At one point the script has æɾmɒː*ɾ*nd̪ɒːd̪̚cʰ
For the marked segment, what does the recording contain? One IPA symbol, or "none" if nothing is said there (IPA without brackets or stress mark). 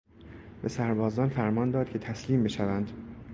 none